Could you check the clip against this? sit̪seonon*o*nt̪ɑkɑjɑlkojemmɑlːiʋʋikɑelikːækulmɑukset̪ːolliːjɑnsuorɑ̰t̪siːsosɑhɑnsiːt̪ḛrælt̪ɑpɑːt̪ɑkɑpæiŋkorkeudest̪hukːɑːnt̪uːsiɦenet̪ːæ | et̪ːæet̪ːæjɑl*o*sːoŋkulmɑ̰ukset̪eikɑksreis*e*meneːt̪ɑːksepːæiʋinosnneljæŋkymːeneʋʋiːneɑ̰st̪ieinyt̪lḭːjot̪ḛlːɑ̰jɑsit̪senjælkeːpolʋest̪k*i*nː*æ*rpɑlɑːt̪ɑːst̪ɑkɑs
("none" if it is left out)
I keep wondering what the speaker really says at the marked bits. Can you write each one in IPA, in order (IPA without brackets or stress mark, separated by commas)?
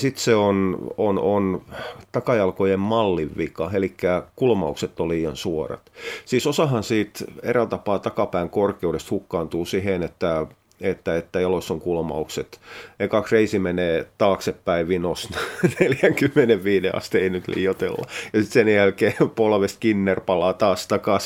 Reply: o, o, i, i, e